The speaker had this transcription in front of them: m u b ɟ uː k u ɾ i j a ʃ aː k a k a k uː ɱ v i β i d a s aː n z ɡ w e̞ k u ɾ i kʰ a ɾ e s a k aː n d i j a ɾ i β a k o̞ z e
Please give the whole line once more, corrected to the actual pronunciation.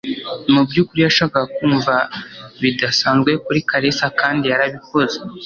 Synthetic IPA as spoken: m u b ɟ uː k u ɾ i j a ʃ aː k a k a k uː ɱ v a β i d a s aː n z ɡ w e̞ k u ɾ i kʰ a ɾ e s a k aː n d i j a ɾ a β i k o̞ z e